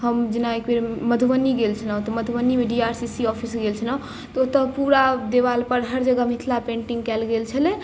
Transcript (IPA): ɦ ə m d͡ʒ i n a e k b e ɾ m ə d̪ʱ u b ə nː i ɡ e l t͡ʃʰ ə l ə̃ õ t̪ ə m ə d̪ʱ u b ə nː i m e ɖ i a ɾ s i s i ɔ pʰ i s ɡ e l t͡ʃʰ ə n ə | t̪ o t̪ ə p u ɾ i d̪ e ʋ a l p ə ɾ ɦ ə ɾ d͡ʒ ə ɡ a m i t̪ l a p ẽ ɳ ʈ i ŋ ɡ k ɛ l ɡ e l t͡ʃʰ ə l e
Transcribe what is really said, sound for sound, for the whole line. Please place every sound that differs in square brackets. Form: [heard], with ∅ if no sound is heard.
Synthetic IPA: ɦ ə m d͡ʒ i n a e k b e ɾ m ə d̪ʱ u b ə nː i ɡ e l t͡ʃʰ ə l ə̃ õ t̪ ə m ə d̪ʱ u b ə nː i m e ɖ i a ɾ s i s i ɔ pʰ i s ɡ e l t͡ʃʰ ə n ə | t̪ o t̪ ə p u ɾ [a] d̪ e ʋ a l p ə ɾ ɦ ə ɾ d͡ʒ ə ɡ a m i [t̪ʰ] l a p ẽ ɳ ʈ i ŋ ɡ k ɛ l ɡ e l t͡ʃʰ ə l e